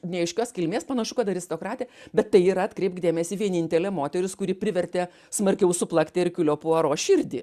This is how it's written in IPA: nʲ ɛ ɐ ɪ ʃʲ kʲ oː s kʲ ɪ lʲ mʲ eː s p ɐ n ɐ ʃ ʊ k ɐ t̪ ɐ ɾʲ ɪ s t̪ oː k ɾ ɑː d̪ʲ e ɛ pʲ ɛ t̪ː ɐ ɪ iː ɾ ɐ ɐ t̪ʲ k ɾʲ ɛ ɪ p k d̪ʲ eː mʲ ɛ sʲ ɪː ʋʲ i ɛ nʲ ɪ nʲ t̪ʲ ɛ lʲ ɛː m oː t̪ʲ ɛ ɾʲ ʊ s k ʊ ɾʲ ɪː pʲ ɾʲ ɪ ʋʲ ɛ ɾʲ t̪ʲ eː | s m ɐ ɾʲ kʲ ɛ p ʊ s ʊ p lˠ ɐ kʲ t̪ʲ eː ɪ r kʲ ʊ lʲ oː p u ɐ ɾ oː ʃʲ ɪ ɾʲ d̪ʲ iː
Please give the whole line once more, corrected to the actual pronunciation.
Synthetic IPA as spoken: nʲ ɛ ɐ ɪ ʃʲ kʲ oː s kʲ ɪ lʲ mʲ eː s p ɐ n ɐ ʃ ʊ k ɐ t̪ ɐ ɾʲ ɪ s t̪ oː k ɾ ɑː t̪ʲ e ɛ bʲ ɛ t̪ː ɐ ɪ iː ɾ ɐ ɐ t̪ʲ k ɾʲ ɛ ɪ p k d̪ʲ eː mʲ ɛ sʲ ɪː ʋʲ i ɛ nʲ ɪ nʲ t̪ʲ ɛ lʲ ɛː m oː t̪ʲ ɛ ɾʲ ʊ s k ʊ ɾʲ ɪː pʲ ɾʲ ɪ ʋʲ ɛ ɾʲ t̪ʲ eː | s m ɐ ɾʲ kʲ ɛ ʊ s ʊ p lˠ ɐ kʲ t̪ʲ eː ɪ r kʲ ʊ lʲ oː p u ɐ ɾ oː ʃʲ ɪ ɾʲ d̪ʲ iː

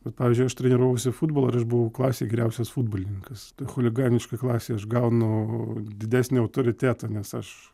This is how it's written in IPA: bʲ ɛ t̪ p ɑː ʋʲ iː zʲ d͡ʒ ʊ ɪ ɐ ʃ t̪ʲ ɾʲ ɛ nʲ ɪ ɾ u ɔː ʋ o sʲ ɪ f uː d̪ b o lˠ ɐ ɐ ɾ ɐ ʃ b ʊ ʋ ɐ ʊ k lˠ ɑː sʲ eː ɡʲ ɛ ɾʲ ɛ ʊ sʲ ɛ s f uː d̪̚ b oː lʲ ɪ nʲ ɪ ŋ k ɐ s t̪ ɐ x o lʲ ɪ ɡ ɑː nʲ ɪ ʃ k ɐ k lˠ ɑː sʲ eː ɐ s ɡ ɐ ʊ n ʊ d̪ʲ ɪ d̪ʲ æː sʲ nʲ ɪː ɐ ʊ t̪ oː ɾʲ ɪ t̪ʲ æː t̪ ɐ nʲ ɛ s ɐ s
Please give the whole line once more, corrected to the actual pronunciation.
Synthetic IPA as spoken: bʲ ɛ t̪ p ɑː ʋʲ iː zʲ d͡ʒ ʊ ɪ ɐ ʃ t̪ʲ ɾʲ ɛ nʲ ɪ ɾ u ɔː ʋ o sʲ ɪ f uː d̪ b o lˠ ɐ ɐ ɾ ɐ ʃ b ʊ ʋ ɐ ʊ k lˠ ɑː sʲ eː ɡʲ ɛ ɾʲ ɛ ʊ sʲ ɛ s f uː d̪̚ b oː lʲ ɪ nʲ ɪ ŋ k ɐ s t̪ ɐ x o lʲ ɪ ɡ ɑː nʲ ɪ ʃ k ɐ k lˠ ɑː sʲ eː ɐ ʃ ɡ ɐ ʊ n ʊ d̪ʲ ɪ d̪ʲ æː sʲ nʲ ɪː ɐ ʊ t̪ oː ɾʲ ɪ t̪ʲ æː t̪ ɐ nʲ ɛ s ɐ ʃ

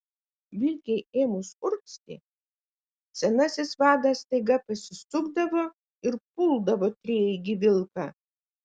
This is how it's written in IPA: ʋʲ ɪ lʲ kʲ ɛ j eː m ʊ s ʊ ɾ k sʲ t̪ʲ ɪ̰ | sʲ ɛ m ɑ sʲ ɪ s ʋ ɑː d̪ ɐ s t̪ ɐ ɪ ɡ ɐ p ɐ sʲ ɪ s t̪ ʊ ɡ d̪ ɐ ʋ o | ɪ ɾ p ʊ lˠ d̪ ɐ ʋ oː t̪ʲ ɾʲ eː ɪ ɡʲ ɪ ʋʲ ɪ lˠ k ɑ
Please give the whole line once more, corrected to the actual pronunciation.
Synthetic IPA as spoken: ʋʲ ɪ lʲ kʲ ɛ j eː m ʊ s ʊ ɾ k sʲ t̪ʲ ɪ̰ | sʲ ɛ n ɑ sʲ ɪ s ʋ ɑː d̪ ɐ s t̪ ɐ ɪ ɡ ɐ p ɐ sʲ ɪ s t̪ ʊ ɡ d̪ ɐ ʋ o | ɪ ɾ p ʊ lˠ d̪ ɐ ʋ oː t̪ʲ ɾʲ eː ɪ ɡʲ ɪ ʋʲ ɪ lˠ k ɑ

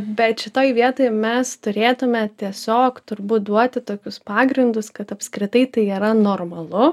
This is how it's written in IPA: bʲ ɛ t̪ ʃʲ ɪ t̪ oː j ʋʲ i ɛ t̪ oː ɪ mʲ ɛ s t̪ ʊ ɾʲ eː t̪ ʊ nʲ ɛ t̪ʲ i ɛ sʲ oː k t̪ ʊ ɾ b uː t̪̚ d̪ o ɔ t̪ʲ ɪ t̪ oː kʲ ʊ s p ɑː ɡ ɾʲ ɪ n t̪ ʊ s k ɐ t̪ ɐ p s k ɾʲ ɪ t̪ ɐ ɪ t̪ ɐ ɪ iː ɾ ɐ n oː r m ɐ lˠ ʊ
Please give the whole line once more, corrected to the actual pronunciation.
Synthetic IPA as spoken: bʲ ɛ t̪ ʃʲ ɪ t̪ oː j ʋʲ i ɛ t̪ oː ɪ mʲ ɛ s t̪ ʊ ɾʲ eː t̪ ʊ mʲ ɛ t̪ʲ i ɛ sʲ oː k t̪ ʊ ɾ b uː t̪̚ d̪ u ɔ t̪ʲ ɪ t̪ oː kʲ ʊ s p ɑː ɡ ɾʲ ɪ n d̪ ʊ s k ɐ t̪ ɐ p s k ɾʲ ɪ t̪ ɐ ɪ t̪ ɐ ɪ iː ɾ ɐ n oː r m ɐ lˠ ʊ

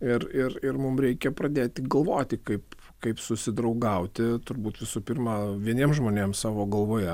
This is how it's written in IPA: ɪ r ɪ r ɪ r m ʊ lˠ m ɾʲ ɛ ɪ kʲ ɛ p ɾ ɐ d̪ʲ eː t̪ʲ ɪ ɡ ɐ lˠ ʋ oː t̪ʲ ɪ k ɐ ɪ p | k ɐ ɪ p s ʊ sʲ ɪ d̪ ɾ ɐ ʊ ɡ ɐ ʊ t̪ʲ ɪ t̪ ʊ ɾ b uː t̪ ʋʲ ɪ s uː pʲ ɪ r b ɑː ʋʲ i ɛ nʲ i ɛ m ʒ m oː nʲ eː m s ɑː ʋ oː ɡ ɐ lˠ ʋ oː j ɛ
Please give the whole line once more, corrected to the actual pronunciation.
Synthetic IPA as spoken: ɪ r ɪ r ɪ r m ʊ m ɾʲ ɛ ɪ kʲ ɛ p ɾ ɐ d̪ʲ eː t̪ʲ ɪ ɡ ɐ lˠ ʋ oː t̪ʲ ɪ k ɐ ɪ p | k ɐ ɪ p s ʊ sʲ ɪ d̪ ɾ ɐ ʊ ɡ ɐ ʊ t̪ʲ ɪ t̪ ʊ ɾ b uː t̪ ʋʲ ɪ s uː pʲ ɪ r m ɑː ʋʲ i ɛ nʲ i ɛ m ʒ m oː nʲ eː m s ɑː ʋ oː ɡ ɐ lˠ ʋ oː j ɛ

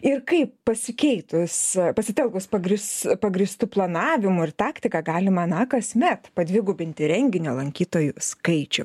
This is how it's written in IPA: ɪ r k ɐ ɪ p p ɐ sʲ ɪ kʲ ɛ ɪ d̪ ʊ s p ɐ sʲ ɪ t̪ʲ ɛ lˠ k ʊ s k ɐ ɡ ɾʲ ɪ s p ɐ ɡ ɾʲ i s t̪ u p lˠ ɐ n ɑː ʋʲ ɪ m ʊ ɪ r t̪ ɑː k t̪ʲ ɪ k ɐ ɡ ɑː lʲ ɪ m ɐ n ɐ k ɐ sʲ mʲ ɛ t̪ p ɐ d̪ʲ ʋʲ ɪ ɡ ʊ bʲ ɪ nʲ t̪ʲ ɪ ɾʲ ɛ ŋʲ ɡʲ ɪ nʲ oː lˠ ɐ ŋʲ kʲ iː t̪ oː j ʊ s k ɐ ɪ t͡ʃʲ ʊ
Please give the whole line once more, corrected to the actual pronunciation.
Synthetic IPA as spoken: ɪ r k ɐ ɪ p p ɐ sʲ ɪ kʲ ɛ ɪ t̪ ʊ s p ɐ sʲ ɪ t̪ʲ ɛ lˠ k ʊ s p ɐ ɡ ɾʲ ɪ s p ɐ ɡ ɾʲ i s t̪ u p lˠ ɐ n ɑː ʋʲ ɪ m ʊ ɪ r t̪ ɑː k t̪ʲ ɪ k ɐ ɡ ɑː lʲ ɪ m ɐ n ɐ k ɐ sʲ mʲ ɛ t̪ p ɐ d̪ʲ ʋʲ ɪ ɡ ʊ bʲ ɪ nʲ t̪ʲ ɪ ɾʲ ɛ ŋʲ ɡʲ ɪ nʲ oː lˠ ɐ ŋʲ kʲ iː t̪ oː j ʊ s k ɐ ɪ t͡ʃʲ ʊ

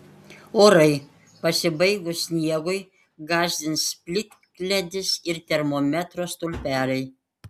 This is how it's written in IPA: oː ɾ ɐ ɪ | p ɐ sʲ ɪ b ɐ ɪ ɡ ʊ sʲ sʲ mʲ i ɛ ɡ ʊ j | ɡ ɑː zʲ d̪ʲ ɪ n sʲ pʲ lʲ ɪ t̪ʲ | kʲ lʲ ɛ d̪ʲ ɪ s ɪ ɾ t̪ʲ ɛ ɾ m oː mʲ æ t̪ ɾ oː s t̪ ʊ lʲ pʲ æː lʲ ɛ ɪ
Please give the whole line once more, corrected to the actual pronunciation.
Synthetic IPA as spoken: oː ɾ ɐ ɪ | p ɐ sʲ ɪ b ɐ ɪ ɡ ʊ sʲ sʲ nʲ i ɛ ɡ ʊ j | ɡ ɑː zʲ d̪ʲ ɪ n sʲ pʲ lʲ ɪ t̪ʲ | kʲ lʲ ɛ d̪ʲ ɪ s ɪ ɾ t̪ʲ ɛ ɾ m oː mʲ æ t̪ ɾ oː s t̪ ʊ lʲ pʲ æː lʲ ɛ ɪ

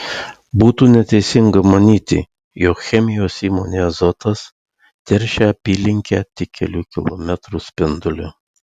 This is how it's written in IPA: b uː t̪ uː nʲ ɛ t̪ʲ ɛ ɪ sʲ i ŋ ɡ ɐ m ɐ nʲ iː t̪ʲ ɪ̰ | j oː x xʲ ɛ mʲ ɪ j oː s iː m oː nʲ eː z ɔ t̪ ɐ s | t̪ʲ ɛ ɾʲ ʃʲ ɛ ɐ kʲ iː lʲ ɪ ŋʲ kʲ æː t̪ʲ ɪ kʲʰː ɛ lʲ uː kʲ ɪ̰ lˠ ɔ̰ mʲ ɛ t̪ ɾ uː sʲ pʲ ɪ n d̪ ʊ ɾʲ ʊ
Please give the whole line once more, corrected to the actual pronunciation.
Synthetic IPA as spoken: b uː t̪ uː nʲ ɛ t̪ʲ ɛ ɪ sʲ ɪ ŋ ɡ ɐ m ɐ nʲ iː t̪ʲ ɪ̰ | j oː k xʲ ɛ mʲ ɪ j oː s iː m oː nʲ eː z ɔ t̪ ɐ s | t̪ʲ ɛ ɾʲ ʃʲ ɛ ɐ pʲ iː lʲ ɪ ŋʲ kʲ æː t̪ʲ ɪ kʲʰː ɛ lʲ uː kʲ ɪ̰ lˠ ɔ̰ mʲ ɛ t̪ ɾ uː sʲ pʲ ɪ n d̪ ʊ lʲ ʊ

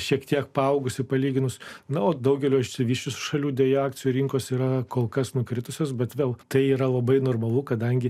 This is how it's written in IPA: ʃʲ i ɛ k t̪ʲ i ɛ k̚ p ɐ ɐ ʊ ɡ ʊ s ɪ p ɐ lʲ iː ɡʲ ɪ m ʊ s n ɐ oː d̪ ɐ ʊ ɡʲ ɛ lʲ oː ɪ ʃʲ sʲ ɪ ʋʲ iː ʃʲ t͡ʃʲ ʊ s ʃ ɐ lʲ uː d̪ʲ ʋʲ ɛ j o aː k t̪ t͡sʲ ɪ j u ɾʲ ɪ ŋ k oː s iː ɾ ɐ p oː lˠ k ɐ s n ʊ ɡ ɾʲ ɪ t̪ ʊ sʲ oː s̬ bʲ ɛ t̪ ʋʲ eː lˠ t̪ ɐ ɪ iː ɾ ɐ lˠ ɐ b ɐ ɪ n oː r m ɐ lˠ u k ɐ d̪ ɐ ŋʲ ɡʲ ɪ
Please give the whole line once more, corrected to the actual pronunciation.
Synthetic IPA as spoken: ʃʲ i ɛ k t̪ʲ i ɛ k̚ p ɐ ɐ ʊ ɡ ʊ s ɪ p ɐ lʲ iː ɡʲ ɪ n ʊ s n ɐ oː d̪ ɐ ʊ ɡʲ ɛ lʲ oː ɪ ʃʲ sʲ ɪ ʋʲ iː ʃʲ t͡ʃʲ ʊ s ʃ ɐ lʲ uː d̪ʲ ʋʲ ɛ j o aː k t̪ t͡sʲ ɪ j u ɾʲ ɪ ŋ k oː s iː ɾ ɐ k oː lˠ k ɐ s n ʊ k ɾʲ ɪ t̪ ʊ sʲ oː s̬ bʲ ɛ t̪ ʋʲ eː lˠ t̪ ɐ ɪ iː ɾ ɐ lˠ ɐ b ɐ ɪ n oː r m ɐ lˠ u k ɐ d̪ ɐ ŋʲ ɡʲ ɪ

